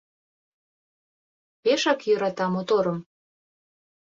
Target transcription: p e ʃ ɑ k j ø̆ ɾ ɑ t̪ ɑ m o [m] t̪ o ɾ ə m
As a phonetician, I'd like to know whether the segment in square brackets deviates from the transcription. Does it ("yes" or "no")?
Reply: yes